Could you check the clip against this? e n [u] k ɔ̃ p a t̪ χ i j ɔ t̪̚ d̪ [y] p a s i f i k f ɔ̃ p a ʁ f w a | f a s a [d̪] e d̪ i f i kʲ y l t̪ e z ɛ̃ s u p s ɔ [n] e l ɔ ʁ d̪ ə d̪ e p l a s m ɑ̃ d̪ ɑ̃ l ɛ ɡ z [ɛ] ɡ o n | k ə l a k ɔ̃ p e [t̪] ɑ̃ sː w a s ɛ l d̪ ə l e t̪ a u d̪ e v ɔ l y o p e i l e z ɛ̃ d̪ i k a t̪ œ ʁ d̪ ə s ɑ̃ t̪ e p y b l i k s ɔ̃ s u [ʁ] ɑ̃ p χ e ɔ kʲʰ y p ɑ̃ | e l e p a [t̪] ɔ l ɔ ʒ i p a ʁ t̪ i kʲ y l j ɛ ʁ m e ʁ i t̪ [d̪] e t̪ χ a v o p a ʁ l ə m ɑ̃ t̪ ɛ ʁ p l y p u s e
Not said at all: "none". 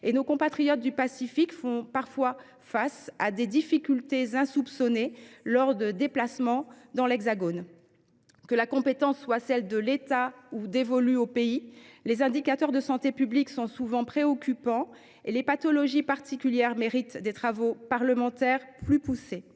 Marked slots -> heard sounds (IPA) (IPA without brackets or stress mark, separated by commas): o, y, d̪, n, a, t̪, v, t̪, d̪